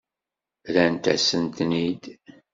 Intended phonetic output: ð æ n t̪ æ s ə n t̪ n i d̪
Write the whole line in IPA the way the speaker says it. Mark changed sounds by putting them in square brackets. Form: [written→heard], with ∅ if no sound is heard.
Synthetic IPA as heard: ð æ n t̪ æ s ə n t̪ n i d̪